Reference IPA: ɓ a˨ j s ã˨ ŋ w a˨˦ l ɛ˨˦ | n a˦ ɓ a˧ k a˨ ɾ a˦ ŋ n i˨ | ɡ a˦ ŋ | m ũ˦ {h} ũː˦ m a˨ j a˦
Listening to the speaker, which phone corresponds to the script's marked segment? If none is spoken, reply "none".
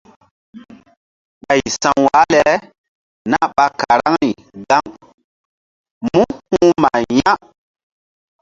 h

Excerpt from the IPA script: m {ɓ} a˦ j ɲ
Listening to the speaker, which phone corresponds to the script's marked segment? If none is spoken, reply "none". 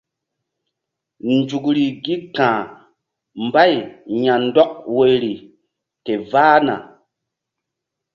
b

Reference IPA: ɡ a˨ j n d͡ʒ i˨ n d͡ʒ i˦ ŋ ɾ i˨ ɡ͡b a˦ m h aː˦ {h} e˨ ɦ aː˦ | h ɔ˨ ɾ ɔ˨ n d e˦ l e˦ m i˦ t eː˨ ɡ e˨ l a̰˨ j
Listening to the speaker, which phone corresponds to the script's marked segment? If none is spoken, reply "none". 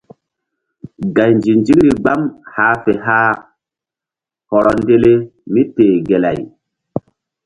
f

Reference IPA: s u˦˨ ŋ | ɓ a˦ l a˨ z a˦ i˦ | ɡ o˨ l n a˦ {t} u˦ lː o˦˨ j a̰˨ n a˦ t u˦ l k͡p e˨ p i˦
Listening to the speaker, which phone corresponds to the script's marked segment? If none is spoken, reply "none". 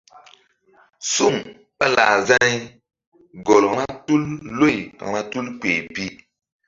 t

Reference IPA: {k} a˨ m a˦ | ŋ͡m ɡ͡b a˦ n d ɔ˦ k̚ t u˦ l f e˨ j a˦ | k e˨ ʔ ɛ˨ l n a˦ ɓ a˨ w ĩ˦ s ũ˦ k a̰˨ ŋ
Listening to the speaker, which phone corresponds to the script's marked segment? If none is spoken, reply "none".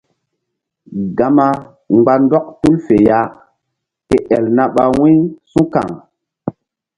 ɡ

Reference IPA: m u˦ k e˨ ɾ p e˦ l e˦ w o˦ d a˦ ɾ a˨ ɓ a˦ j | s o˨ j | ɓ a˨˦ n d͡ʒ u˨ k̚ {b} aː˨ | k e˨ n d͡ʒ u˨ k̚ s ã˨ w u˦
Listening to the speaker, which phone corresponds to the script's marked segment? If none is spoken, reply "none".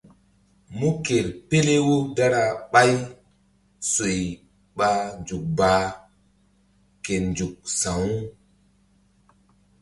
b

